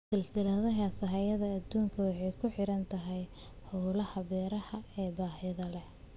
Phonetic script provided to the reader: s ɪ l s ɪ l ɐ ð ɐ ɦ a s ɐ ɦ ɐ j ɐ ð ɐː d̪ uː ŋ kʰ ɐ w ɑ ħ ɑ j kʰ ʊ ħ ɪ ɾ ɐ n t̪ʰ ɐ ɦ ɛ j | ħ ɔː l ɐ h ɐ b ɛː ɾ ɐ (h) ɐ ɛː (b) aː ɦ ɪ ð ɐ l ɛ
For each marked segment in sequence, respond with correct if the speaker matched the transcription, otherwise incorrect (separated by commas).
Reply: correct, correct